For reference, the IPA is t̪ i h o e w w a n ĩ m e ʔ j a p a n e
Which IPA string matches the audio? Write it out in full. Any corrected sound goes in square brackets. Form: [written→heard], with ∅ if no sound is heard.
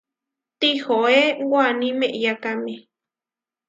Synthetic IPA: t̪ i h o e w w a n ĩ m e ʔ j a [p→k] a [n→m] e